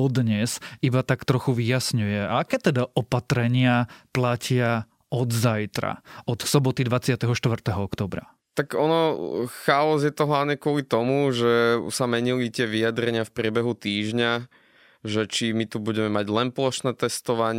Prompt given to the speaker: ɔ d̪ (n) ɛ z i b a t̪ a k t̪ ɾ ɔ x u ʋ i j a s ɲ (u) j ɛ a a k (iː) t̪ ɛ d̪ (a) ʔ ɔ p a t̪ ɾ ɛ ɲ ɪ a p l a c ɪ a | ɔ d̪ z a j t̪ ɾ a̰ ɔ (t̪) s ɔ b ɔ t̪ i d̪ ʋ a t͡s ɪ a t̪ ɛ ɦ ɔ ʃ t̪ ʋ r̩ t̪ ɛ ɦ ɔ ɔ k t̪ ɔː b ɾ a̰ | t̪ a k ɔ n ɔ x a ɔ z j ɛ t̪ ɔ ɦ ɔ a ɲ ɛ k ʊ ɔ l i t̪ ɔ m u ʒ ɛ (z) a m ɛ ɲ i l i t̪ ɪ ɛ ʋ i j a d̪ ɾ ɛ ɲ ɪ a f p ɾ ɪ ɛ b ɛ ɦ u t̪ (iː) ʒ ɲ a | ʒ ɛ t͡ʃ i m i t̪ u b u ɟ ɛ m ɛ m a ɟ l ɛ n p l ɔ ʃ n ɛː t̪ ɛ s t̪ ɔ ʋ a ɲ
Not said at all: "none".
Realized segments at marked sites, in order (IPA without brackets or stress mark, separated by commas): ɲ, u, ɛː, a, t̪, s, iː